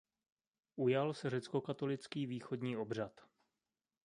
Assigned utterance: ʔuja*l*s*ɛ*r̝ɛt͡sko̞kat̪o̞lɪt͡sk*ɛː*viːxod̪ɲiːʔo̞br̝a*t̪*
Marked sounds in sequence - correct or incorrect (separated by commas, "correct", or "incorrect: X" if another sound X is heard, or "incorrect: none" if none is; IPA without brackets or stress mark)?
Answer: correct, correct, incorrect: iː, correct